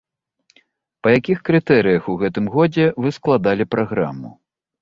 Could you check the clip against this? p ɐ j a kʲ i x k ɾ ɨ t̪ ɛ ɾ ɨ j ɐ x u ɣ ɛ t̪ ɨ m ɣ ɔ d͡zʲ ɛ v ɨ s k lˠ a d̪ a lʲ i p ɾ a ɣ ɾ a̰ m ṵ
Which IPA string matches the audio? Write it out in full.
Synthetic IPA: p ɐ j a kʲ i x k ɾ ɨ t̪ ɛ ɾ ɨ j ɐ x u ɣ ɛ t̪ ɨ m ɣ ɔ d͡zʲ ɛ v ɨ s k lˠ a d̪ a lʲ i p ɾ a ɣ ɾ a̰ m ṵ